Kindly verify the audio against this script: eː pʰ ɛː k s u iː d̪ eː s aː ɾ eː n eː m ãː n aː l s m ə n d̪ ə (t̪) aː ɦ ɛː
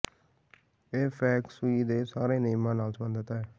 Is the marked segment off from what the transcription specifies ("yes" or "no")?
no